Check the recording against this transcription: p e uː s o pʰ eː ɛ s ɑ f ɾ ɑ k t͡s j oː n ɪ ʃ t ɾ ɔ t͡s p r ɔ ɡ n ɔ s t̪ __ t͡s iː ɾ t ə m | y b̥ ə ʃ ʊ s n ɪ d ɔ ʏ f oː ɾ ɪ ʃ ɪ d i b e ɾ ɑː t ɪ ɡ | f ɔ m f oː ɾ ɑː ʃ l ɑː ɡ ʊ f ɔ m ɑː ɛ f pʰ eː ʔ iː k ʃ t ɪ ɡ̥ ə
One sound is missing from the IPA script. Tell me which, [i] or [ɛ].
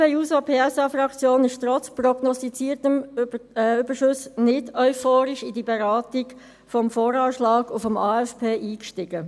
i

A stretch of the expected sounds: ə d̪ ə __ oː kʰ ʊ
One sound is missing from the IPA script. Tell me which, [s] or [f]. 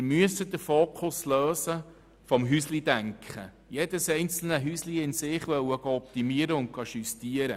f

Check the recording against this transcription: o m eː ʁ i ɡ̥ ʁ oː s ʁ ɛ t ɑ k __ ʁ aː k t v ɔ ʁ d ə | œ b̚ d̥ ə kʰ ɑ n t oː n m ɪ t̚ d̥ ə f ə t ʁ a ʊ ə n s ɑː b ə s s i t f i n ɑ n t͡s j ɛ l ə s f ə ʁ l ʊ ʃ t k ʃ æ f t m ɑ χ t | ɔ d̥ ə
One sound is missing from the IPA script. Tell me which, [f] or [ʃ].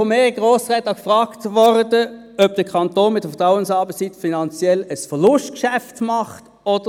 f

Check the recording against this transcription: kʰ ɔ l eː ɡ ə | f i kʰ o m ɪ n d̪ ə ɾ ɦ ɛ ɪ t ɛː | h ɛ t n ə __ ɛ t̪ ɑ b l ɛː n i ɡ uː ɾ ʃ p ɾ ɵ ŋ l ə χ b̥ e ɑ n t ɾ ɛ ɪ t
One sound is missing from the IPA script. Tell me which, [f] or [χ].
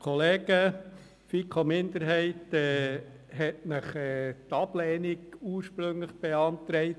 χ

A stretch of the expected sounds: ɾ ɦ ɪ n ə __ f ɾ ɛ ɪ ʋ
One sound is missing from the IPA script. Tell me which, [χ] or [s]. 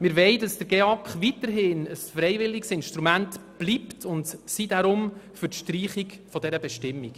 s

